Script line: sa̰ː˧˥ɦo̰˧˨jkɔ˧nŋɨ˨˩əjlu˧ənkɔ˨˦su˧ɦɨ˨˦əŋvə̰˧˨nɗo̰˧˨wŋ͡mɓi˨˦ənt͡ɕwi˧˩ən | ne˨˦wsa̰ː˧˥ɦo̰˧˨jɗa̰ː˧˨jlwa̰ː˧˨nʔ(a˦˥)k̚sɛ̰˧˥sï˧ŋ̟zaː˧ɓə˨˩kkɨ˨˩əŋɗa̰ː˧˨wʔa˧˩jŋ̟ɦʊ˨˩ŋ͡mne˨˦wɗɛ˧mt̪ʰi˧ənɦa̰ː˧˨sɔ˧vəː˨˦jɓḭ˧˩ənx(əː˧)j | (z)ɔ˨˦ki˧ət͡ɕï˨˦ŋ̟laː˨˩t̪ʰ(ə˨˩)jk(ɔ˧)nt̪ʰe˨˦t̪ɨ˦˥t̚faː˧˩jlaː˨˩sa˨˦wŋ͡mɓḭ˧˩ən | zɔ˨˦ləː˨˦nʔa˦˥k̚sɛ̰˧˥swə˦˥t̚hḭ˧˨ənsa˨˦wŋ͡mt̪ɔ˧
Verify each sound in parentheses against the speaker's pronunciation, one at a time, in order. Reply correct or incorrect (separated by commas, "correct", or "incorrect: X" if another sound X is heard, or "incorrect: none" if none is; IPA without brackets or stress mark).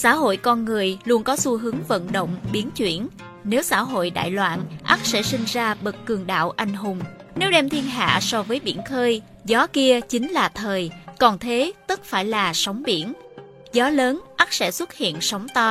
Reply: correct, correct, correct, incorrect: əː˨˩, incorrect: ɔ˨˩